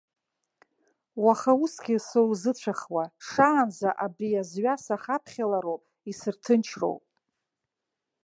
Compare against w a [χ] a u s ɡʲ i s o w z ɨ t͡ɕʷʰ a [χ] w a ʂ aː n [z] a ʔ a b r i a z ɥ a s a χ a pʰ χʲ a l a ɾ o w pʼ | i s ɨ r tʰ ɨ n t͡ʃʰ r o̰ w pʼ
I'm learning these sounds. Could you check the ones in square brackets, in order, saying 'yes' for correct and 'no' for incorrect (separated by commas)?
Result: yes, yes, yes